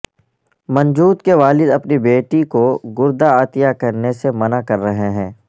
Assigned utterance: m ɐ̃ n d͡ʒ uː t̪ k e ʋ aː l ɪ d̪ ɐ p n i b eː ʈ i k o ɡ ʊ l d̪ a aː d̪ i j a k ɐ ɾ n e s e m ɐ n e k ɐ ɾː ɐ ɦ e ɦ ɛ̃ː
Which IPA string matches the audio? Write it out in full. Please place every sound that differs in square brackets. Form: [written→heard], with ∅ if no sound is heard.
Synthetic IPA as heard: m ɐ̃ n d͡ʒ uː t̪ k e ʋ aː l ɪ d̪ ɐ p n i b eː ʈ i k o ɡ ʊ [l→ɾ] d̪ a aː [d̪→t̪] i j a k ɐ ɾ n e s e m ɐ n [e→a] k ɐ ɾː ɐ ɦ e ɦ ɛ̃ː